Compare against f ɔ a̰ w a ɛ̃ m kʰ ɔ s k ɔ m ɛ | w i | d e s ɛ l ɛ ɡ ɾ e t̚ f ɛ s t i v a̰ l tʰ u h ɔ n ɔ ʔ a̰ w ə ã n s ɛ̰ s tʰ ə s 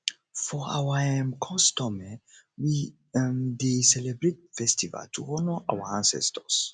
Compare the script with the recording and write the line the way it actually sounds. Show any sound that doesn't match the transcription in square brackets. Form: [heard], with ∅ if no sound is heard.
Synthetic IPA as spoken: f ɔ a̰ w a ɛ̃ m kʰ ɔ s [t] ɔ m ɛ | w i | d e s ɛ l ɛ [b] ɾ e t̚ f ɛ s t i v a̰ l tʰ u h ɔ n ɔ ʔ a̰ w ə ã n s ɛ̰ s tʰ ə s